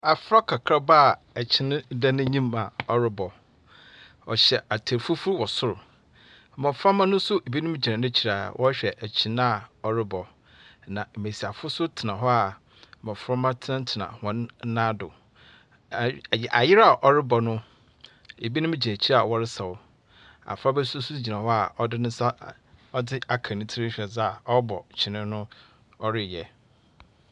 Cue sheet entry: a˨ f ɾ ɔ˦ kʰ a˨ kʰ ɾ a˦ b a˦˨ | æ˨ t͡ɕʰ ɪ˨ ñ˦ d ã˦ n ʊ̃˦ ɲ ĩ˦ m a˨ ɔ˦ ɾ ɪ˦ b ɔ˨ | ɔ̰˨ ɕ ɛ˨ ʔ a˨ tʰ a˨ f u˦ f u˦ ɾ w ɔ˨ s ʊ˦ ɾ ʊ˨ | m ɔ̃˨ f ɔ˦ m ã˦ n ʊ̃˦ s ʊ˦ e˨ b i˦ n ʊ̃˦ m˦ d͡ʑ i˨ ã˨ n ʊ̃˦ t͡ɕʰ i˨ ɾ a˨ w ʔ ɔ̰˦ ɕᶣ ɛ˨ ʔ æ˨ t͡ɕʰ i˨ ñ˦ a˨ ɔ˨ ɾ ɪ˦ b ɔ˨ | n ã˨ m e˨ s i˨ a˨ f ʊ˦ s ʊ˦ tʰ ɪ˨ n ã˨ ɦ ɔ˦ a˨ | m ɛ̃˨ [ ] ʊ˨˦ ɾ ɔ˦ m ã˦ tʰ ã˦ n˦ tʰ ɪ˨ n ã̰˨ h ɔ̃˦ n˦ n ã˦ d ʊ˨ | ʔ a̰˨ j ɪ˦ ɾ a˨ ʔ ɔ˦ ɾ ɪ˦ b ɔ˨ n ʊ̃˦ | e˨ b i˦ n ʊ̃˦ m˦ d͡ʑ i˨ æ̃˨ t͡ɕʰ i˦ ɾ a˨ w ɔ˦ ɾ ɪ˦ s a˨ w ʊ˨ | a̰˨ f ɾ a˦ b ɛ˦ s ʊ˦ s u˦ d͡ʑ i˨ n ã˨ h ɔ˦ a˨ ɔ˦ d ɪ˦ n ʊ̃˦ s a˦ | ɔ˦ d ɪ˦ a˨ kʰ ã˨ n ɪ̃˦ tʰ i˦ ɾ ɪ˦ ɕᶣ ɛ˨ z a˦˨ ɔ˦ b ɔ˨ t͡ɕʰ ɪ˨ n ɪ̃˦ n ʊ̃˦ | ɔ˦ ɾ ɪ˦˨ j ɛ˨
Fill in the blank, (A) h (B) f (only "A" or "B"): B